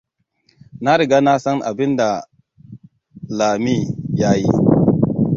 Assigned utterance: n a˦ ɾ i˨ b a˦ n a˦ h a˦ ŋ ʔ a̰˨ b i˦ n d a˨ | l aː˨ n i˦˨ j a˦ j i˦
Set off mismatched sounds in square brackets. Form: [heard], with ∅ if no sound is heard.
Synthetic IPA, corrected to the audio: n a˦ ɾ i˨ [ɡ] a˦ n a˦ [s] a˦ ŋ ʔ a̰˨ b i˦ n d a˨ | l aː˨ [m] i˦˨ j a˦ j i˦

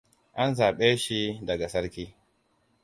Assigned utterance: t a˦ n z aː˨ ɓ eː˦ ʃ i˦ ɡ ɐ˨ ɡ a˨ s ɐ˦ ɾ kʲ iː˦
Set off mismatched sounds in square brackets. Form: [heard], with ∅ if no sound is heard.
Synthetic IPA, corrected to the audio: [ʔ] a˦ n z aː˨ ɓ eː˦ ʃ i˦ [d] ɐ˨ ɡ a˨ s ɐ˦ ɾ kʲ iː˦

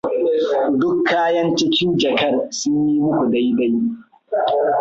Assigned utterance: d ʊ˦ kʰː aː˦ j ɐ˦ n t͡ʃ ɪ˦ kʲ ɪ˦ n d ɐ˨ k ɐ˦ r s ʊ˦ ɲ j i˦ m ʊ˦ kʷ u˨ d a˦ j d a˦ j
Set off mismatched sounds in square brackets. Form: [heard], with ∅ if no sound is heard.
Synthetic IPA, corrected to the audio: d ʊ˦ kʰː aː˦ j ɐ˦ n t͡ʃ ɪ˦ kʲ ɪ˦ n [d͡ʒ] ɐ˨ k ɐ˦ r s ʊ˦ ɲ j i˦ m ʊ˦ kʷ u˨ d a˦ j d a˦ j

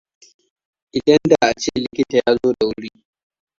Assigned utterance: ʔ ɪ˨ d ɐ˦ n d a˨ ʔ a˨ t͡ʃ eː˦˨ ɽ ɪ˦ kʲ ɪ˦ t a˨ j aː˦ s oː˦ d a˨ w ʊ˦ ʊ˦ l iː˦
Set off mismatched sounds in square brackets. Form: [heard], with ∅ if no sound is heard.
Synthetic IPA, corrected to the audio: ʔ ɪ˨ d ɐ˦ n d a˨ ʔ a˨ t͡ʃ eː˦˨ [l] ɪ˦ kʲ ɪ˦ t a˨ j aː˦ [z] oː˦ d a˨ w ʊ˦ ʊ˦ [ɽ] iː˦

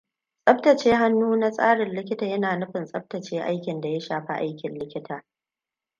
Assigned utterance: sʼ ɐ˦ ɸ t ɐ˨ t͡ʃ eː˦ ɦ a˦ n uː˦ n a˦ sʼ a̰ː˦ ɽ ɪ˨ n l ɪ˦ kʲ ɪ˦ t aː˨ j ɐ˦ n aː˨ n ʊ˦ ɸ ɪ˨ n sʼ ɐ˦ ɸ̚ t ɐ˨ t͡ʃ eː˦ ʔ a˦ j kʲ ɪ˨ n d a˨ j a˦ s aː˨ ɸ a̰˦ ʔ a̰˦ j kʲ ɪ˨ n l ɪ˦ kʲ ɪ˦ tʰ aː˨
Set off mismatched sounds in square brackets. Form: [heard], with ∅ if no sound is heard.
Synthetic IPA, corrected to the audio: sʼ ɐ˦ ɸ t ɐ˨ t͡ʃ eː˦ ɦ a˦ [nː] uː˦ n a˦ sʼ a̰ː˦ ɽ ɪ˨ n l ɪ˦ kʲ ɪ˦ t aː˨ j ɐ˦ n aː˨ n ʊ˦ ɸ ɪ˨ n sʼ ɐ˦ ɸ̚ t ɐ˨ t͡ʃ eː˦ ʔ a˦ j kʲ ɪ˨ n d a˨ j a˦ [ʃ] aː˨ ɸ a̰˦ ʔ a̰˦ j kʲ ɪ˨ n l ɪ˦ kʲ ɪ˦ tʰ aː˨

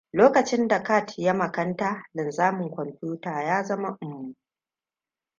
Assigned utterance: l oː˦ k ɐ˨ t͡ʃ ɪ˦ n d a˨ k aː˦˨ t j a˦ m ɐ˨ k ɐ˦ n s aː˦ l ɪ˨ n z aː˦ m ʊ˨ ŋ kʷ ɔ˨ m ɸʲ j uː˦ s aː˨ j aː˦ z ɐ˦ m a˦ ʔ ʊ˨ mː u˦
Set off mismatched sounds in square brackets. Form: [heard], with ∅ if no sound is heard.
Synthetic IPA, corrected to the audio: l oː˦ k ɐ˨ t͡ʃ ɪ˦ n d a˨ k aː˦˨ t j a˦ m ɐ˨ k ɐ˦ n [t] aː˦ l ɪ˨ n z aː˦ m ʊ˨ ŋ kʷ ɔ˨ m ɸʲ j uː˦ [t] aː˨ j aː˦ z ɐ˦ m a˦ ʔ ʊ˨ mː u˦

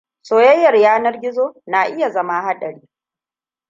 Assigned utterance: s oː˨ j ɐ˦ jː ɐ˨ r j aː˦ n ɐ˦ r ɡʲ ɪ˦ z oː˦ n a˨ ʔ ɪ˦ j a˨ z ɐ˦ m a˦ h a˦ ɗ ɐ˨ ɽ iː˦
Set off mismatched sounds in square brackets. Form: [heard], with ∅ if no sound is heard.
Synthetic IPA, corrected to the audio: s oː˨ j ɐ˦ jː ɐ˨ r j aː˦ n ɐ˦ r ɡʲ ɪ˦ z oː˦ n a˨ ʔ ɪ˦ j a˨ z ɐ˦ m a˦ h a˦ ɗ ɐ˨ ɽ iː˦

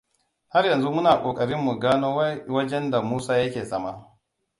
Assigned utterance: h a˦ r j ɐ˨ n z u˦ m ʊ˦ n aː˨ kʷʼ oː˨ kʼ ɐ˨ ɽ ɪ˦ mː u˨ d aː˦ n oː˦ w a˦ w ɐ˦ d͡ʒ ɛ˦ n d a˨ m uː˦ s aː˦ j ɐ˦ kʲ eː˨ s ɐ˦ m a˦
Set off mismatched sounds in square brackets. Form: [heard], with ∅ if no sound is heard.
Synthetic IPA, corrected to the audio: h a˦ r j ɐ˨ n z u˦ m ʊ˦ n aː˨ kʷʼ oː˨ kʼ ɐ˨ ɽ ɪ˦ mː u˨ [ɡ] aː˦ n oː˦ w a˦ w ɐ˦ d͡ʒ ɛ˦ n d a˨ m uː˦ s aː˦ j ɐ˦ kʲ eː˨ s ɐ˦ m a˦

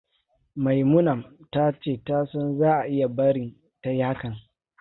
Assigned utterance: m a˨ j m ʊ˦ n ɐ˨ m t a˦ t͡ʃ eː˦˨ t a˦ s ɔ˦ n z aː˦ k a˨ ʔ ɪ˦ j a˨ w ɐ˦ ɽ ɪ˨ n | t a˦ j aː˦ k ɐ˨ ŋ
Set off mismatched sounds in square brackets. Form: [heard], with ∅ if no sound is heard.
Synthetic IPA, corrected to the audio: m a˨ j m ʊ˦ n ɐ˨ m t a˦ t͡ʃ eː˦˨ t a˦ s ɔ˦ n z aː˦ [ʔ] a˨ ʔ ɪ˦ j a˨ [b] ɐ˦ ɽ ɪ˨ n | t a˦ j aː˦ k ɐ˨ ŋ

